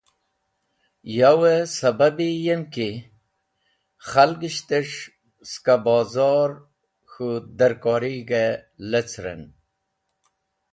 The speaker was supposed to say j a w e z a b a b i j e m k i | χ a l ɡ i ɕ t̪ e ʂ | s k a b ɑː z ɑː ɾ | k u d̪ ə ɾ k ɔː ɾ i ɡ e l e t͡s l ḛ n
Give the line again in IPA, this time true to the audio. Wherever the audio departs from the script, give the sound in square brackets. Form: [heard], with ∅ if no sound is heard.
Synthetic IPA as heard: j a w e [s] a b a b i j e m k i | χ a l ɡ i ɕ t̪ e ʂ | s k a b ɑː z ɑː ɾ | [x] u d̪ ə ɾ k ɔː ɾ i ɡ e l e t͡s [ɾ] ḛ n